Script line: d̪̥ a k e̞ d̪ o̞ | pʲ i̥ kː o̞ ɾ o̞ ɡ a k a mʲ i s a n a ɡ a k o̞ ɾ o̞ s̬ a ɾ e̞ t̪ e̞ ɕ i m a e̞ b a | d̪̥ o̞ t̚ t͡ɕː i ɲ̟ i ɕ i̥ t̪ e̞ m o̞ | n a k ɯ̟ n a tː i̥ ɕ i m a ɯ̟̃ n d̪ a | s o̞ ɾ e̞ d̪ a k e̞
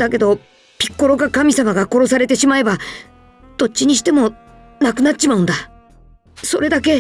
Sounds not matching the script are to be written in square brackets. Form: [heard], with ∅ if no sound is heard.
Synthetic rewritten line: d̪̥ a k e̞ d̪ o̞ | pʲ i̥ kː o̞ ɾ o̞ ɡ a k a mʲ i s a [m] a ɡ a k o̞ ɾ o̞ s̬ a ɾ e̞ t̪ e̞ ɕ i m a e̞ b a | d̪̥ o̞ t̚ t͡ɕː i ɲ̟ i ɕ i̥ t̪ e̞ m o̞ | n a k ɯ̟ n a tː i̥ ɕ i m a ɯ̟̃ n d̪ a | s o̞ ɾ e̞ d̪ a k e̞